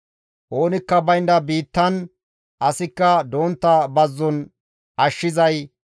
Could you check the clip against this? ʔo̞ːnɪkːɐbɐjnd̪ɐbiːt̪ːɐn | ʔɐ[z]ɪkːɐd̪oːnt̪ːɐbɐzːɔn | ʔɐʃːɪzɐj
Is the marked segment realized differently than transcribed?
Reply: yes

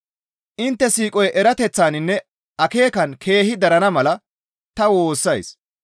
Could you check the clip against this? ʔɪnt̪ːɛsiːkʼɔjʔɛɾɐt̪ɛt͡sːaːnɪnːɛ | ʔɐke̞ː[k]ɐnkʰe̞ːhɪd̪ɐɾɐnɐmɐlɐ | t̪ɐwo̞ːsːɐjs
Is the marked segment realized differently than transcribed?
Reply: no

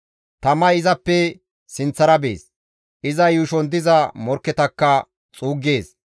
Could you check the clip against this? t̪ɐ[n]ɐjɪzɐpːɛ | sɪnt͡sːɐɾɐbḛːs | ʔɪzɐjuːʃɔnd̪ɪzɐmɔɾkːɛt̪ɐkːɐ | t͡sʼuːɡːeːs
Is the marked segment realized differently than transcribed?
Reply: yes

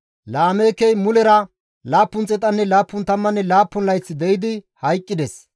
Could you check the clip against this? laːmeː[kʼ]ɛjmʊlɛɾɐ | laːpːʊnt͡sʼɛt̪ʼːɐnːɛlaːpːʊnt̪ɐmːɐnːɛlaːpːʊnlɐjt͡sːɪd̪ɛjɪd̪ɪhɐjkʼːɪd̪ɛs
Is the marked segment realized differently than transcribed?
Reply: yes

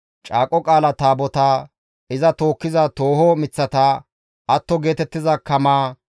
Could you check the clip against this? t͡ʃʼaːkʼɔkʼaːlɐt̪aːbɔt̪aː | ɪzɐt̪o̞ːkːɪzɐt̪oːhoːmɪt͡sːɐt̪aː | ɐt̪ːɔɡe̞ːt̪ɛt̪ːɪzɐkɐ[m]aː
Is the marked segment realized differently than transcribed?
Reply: no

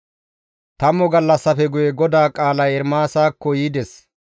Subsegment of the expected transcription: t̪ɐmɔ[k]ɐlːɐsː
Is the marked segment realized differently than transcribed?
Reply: yes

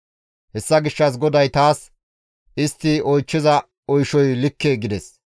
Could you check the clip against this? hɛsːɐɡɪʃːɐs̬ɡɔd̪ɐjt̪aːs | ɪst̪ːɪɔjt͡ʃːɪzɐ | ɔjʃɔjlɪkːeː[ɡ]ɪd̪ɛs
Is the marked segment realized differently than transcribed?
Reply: no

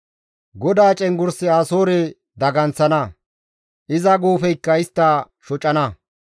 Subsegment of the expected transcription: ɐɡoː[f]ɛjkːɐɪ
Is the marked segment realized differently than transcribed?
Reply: no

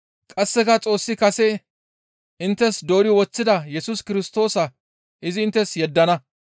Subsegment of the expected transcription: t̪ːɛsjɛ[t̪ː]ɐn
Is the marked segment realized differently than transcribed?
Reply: yes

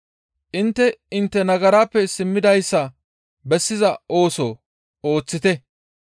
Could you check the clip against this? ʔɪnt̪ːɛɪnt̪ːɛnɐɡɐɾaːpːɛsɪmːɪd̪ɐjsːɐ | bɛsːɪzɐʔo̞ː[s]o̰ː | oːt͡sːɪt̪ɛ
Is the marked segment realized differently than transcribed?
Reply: no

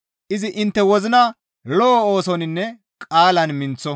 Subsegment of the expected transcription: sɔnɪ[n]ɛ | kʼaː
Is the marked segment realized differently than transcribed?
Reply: yes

